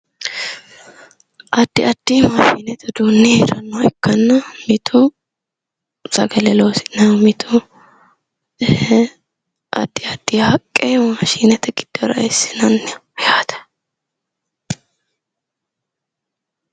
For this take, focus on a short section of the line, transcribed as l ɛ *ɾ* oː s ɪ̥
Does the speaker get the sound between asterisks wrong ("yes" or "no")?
yes